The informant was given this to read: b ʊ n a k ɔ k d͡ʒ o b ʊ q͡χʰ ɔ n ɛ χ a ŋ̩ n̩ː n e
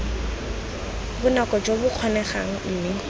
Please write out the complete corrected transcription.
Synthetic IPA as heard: b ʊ n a k ɔ d͡ʒ o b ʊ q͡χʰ ɔ n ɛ χ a ŋ̩ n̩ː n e